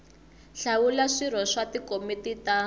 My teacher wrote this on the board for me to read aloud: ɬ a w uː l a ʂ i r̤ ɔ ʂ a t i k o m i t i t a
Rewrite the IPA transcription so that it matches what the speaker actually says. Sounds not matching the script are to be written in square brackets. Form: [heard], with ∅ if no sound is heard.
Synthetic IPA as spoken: ɬ a w [u] l a ʂ i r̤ ɔ ʂ a t i k o m i t i t a